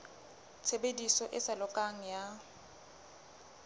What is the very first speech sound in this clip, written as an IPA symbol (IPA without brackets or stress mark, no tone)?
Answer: t͡sʰ